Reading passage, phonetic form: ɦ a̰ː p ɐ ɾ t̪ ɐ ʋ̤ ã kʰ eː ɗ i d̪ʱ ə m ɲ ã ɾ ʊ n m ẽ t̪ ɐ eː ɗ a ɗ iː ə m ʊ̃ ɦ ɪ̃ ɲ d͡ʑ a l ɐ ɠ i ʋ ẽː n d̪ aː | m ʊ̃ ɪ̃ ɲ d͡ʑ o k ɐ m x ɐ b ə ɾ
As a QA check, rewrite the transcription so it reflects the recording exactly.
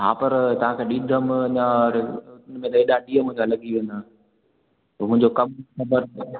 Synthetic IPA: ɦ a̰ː p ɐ ɾ t̪ ɐ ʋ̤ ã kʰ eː ɗ i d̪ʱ ə m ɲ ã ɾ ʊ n m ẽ t̪ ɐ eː ɗ a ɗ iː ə m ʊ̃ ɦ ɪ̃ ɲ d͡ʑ a l ɐ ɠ i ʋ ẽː n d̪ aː | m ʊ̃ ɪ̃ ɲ d͡ʑ o k ɐ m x ɐ b ə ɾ